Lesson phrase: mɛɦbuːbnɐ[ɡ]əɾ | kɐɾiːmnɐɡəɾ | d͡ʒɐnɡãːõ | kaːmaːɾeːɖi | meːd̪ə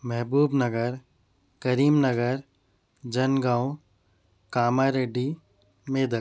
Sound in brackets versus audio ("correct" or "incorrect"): correct